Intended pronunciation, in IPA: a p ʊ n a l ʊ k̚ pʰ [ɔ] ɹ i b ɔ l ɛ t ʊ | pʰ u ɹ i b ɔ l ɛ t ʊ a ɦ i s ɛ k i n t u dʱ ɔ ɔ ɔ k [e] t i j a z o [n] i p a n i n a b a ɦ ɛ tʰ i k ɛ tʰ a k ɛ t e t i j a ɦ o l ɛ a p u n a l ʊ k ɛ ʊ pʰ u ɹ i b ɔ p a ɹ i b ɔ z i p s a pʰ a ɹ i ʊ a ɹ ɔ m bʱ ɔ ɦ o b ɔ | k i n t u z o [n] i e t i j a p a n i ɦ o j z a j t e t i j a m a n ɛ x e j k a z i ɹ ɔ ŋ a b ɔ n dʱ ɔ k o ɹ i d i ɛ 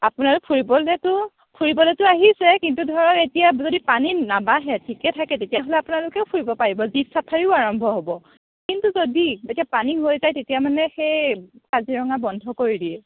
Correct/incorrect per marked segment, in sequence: incorrect, correct, incorrect, incorrect

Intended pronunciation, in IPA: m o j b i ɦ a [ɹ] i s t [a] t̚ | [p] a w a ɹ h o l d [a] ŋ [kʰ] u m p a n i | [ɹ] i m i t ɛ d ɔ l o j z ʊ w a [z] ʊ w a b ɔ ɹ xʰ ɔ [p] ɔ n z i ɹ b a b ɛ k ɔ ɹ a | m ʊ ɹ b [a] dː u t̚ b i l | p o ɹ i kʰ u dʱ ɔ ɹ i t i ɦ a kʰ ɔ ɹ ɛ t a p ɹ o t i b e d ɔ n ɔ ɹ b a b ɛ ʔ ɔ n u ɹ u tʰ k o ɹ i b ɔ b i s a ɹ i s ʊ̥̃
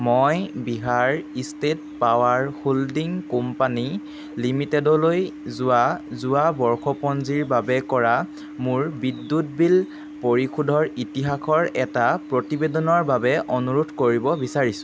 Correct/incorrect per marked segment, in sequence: correct, incorrect, correct, incorrect, incorrect, incorrect, correct, correct, incorrect

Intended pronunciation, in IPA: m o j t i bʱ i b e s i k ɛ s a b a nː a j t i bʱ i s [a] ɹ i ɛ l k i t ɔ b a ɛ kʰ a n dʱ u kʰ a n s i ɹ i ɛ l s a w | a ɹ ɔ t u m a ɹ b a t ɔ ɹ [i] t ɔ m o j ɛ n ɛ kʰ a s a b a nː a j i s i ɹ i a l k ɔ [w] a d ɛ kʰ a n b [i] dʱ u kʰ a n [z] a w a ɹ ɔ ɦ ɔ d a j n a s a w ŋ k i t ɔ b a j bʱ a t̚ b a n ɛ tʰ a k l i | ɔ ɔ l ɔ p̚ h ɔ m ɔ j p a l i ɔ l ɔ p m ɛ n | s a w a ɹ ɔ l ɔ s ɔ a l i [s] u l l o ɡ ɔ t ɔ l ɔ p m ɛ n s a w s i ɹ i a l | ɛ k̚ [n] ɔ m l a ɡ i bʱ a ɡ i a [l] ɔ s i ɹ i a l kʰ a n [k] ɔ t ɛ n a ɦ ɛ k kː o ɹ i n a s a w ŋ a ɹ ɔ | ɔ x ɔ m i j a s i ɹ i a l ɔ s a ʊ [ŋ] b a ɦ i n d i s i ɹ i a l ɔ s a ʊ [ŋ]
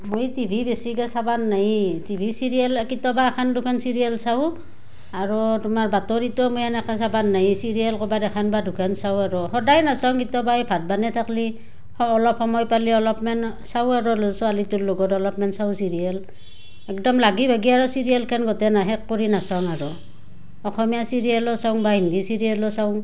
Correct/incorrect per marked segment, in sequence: incorrect, correct, incorrect, incorrect, incorrect, incorrect, incorrect, incorrect, incorrect, correct, correct

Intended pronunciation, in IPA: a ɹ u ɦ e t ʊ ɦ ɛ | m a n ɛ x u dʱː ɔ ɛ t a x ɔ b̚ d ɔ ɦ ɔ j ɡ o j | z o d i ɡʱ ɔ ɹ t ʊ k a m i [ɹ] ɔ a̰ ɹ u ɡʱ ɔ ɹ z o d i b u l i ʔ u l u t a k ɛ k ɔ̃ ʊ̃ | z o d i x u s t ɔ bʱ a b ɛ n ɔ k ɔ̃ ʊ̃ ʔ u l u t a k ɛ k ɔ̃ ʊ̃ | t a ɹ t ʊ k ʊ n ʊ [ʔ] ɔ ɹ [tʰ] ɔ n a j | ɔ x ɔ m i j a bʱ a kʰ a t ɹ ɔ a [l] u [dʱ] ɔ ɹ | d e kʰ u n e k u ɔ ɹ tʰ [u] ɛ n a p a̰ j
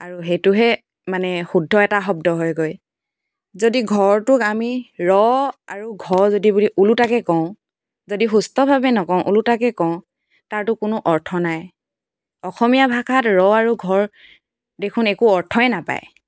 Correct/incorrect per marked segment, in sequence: correct, correct, correct, incorrect, incorrect, incorrect

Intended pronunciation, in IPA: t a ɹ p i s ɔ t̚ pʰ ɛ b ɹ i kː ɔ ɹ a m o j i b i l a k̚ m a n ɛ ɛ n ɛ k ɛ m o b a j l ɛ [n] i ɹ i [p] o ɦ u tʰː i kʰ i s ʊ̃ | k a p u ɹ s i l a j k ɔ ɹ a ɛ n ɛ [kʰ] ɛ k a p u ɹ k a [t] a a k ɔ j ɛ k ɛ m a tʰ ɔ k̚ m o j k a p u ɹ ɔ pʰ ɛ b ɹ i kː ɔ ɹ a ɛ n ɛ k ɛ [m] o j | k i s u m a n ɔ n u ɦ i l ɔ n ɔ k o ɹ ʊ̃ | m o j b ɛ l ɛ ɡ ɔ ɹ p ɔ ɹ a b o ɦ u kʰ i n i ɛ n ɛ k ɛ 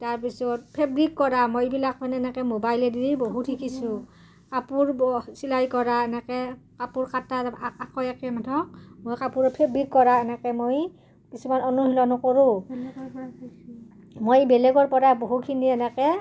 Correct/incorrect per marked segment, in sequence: incorrect, incorrect, incorrect, correct, correct

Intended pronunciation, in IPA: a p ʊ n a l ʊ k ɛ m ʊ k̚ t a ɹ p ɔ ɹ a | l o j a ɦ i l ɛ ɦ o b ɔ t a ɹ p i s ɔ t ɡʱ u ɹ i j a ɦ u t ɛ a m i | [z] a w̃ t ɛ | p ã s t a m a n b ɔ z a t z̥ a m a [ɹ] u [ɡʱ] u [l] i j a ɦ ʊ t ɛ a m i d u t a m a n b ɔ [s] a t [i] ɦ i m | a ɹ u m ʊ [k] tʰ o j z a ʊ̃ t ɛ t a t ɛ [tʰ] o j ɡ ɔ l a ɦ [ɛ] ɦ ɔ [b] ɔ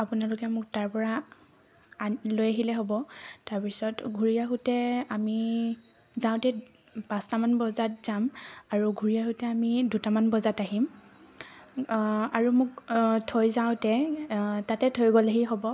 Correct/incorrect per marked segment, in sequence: correct, correct, correct, incorrect, incorrect, incorrect, correct, correct, incorrect, correct

